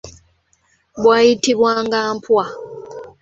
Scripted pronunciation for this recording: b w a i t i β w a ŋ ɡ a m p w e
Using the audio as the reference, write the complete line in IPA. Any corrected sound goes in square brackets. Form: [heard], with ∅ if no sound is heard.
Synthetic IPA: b w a i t i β w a ŋ ɡ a m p w [a]